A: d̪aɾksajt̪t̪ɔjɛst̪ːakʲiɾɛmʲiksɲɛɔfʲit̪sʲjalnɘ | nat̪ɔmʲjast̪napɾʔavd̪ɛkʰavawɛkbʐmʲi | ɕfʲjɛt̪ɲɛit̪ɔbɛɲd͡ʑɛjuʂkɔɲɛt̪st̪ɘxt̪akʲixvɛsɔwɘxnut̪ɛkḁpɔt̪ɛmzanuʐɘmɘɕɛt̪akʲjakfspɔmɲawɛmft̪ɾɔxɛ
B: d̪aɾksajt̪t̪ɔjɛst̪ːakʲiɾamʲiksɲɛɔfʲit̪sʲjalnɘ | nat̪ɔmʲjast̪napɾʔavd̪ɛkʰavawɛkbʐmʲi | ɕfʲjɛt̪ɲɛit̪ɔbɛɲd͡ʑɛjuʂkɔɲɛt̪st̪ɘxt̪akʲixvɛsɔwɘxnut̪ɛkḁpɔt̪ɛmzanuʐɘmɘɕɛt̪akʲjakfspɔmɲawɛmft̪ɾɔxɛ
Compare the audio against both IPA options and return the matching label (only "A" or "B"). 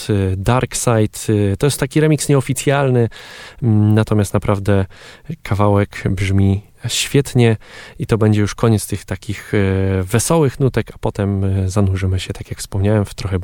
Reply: A